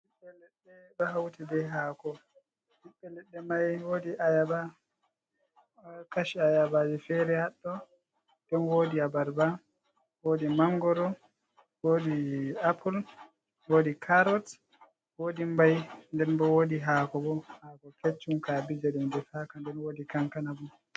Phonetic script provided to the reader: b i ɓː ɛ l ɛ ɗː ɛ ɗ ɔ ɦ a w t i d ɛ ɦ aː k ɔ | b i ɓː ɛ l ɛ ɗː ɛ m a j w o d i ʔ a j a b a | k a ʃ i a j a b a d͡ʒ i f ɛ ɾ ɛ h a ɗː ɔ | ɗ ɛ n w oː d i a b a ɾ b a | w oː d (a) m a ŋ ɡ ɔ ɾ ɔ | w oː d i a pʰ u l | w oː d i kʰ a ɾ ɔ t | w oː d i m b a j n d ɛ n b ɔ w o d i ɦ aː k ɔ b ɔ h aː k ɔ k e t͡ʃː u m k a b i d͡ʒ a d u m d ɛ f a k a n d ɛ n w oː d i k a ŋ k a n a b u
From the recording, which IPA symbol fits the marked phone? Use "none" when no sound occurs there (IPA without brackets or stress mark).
i